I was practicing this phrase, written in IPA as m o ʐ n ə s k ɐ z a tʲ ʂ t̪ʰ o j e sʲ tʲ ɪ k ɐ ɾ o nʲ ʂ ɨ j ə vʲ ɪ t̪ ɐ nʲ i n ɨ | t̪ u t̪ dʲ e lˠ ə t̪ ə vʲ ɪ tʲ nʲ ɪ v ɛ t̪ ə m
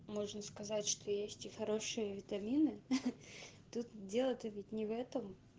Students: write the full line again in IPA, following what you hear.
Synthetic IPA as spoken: m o ʐ n ə s k ɐ z a tʲ ʂ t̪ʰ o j e sʲ tʲ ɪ x ɐ ɾ o ʂ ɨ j ə vʲ ɪ t̪ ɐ mʲ i n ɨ | t̪ u t̪ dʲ e lˠ ə t̪ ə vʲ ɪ tʲ nʲ ɪ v ɛ t̪ ə m